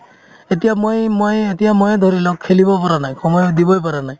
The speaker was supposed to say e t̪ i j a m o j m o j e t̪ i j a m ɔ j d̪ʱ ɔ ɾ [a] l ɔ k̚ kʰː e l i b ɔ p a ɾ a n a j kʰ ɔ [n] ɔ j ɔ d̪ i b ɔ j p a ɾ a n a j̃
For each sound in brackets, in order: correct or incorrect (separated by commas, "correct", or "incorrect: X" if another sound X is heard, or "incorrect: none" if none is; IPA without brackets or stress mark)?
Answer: incorrect: i, incorrect: m